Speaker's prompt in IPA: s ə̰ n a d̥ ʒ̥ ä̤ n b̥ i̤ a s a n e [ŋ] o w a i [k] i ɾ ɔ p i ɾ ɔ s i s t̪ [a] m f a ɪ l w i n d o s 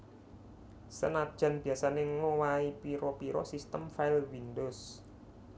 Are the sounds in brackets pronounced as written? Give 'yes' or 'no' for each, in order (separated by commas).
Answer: yes, no, no